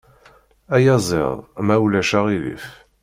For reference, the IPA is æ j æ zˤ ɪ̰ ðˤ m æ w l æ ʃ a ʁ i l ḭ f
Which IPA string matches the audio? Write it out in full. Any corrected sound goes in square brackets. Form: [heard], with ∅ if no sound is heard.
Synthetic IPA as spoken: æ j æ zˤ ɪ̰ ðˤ m æ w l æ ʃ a ʁ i l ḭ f